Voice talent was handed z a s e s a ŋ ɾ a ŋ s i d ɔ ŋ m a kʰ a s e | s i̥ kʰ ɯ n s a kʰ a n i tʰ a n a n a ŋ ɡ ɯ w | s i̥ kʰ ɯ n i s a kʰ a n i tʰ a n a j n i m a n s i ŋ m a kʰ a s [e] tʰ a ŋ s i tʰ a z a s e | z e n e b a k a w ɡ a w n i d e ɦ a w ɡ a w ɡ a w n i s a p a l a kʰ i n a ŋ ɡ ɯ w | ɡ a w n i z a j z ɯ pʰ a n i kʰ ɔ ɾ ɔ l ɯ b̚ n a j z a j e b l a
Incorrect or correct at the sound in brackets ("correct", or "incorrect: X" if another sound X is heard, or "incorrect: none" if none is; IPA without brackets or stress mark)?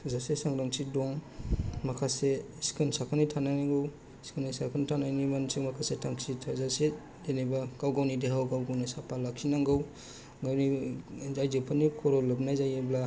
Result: correct